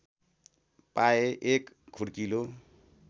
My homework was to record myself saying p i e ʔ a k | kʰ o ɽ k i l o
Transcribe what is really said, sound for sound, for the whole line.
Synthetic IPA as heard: p a e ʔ e k | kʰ u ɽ k i l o

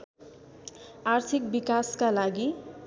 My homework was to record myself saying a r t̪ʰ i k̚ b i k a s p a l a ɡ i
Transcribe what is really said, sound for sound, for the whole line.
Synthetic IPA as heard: a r t̪ʰ i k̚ b i k a s k a l a ɡ i

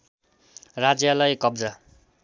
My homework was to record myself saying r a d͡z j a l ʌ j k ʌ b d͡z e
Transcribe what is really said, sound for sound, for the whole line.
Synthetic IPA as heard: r a d͡z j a l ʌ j k ʌ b d͡z a

